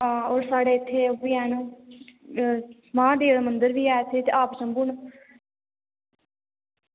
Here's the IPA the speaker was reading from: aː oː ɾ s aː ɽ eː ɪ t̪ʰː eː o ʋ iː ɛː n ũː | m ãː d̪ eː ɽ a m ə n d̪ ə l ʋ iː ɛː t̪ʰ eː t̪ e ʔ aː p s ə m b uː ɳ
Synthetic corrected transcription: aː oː ɾ s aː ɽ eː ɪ t̪ʰː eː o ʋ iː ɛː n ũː | m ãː d̪ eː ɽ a m ə n d̪ ə ɾ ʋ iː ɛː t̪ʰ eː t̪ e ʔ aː p s ə m b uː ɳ